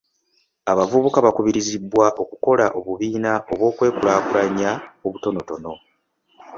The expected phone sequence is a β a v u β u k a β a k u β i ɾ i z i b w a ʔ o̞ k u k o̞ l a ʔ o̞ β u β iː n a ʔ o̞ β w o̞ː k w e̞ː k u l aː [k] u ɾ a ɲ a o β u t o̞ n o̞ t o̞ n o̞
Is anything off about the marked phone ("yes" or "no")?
no